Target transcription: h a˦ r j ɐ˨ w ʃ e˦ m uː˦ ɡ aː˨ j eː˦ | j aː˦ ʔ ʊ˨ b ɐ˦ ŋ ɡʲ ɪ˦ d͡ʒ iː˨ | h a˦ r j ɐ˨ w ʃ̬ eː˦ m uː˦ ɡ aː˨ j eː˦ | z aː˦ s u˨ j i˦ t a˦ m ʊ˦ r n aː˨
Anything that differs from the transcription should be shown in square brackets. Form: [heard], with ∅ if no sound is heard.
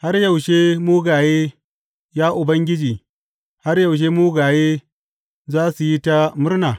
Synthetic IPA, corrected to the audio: h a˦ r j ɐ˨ w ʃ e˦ m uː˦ ɡ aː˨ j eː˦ | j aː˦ ʔ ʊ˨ b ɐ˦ ŋ ɡʲ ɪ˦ d͡ʒ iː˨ | h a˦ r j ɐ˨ w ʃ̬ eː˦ m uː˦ ɡ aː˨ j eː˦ | z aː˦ s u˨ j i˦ t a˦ m ʊ˦ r n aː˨

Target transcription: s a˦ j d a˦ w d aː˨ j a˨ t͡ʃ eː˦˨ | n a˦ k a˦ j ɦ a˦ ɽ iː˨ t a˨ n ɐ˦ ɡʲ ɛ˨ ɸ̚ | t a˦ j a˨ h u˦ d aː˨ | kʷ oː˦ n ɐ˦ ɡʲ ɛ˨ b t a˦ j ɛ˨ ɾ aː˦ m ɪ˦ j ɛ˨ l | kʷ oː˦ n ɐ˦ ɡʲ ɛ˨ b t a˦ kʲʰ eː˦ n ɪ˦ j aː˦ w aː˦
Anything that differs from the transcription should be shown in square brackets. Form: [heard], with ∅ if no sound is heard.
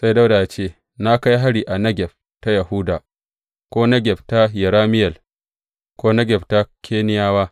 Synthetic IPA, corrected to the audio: s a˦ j d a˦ w d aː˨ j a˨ t͡ʃ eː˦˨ | n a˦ k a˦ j ɦ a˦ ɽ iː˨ [ʔ] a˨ n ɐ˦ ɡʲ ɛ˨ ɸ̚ | t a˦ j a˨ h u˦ d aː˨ | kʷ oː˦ n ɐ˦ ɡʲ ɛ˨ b t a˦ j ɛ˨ ɾ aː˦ m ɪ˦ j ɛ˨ l | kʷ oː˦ n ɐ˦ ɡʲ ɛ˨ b t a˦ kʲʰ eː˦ n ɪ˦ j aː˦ w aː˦

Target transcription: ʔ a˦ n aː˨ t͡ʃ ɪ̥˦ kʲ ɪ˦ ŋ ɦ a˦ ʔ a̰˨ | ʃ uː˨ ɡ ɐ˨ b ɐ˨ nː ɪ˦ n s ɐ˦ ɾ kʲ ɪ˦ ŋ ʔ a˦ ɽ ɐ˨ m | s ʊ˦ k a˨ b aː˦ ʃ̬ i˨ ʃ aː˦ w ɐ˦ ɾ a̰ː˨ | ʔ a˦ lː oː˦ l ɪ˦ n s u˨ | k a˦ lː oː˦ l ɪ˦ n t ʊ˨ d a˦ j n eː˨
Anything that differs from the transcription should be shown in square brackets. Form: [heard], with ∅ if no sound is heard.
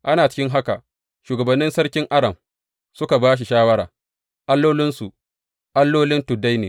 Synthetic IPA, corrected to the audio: ʔ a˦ n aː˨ t͡ʃ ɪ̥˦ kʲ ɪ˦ ŋ ɦ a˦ [k] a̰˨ | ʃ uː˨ ɡ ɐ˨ b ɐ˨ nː ɪ˦ n s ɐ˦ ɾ kʲ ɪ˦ ŋ ʔ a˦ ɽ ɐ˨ m | s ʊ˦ k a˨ b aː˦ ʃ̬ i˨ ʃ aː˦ w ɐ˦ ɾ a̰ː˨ | ʔ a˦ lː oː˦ l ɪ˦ n s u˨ | [ʔ] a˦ lː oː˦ l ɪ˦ n t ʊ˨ d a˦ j n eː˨

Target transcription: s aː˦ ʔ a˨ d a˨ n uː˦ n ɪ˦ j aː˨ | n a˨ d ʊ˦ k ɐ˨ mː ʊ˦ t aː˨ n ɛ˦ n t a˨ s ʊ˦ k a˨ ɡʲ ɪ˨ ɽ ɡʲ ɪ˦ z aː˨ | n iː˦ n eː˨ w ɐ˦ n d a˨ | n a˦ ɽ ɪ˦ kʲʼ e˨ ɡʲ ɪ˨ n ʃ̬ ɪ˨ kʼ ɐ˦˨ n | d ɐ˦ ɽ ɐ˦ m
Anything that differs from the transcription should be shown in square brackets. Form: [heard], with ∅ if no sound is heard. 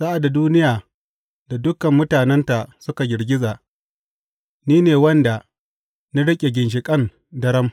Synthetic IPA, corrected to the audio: s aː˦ ʔ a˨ d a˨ [d] uː˦ n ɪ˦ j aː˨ | [d] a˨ d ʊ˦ k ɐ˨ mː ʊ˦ t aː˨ n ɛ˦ n t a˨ s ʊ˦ k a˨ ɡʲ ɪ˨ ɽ ɡʲ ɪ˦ z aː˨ | n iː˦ n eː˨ w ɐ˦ n d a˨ | n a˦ ɽ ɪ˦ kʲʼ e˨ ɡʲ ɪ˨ n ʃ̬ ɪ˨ kʼ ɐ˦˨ n | d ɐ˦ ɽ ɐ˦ m

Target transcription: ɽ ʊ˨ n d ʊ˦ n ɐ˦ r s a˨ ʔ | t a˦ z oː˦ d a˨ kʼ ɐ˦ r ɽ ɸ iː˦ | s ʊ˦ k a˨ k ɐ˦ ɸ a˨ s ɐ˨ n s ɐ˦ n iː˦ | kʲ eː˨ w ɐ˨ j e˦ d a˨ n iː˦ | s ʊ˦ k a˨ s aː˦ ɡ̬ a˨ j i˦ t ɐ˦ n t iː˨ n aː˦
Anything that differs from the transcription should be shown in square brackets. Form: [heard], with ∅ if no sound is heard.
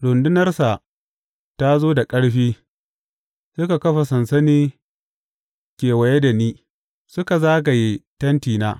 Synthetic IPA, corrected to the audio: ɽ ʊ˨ n d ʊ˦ n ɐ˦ r s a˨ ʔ | t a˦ z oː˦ d a˨ kʼ ɐ˦ [∅] ɽ ɸ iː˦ | s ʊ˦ k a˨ k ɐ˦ ɸ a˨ s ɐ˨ n s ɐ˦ n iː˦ | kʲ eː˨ w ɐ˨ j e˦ d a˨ n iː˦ | s ʊ˦ k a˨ [z] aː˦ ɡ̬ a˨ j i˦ t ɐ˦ n t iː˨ n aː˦

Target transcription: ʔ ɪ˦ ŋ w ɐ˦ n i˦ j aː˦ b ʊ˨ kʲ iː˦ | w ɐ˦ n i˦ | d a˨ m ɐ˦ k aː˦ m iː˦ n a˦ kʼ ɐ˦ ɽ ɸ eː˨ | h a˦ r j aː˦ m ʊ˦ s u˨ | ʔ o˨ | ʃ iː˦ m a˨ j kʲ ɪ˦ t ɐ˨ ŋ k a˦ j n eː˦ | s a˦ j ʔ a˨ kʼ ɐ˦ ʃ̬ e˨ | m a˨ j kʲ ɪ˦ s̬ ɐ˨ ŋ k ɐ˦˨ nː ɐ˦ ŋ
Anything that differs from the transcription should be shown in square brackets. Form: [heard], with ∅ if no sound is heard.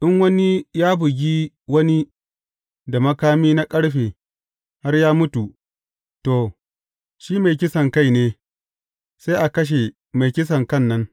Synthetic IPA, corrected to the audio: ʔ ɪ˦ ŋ w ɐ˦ n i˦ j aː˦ b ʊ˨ [ɡʲ] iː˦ | w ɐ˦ n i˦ | d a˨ m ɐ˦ k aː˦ m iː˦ n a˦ kʼ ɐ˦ ɽ ɸ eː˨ | h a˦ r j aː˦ m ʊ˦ [t] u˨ | [t] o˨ | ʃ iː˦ m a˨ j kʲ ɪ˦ [s] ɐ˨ ŋ k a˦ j n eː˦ | s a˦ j ʔ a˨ [k] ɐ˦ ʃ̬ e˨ | m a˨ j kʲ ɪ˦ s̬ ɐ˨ ŋ k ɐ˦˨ nː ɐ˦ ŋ

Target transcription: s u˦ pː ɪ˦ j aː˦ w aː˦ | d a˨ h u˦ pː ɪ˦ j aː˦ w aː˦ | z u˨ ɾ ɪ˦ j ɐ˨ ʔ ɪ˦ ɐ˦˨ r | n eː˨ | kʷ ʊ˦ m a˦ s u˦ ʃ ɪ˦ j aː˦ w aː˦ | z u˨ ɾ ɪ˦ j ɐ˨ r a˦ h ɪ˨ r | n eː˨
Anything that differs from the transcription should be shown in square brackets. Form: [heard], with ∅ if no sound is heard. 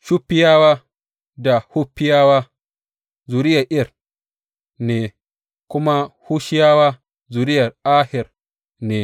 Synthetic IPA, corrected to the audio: [ʃ] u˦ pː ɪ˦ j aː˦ w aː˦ | d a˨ h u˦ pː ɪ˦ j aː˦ w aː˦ | z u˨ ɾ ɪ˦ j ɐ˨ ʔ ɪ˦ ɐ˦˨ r | n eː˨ | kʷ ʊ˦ m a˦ [h] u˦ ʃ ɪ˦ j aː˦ w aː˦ | z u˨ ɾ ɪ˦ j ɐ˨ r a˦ h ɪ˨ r | n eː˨

